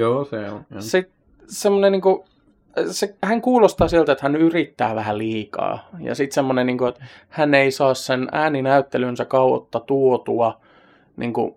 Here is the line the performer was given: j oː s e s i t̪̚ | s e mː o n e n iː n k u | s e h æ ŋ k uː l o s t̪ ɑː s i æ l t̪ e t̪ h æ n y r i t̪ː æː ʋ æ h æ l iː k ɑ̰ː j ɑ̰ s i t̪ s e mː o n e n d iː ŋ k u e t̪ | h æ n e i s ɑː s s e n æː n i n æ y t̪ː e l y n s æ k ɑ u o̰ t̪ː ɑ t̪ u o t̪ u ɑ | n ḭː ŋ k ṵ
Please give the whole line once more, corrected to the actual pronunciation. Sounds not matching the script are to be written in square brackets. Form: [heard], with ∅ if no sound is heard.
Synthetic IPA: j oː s e s i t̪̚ | s e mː o n e n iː [ŋ] k u | s e h æ ŋ k uː l o s t̪ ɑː s i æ l t̪ e t̪ h æ n y r i t̪ː æː ʋ æ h æ l iː k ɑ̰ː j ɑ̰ s i t̪ s e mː o n e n [n] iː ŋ k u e t̪ | h æ n e i s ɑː s s e n æː n i n æ y t̪ː e l y n s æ k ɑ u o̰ t̪ː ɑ t̪ u o t̪ u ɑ | n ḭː ŋ k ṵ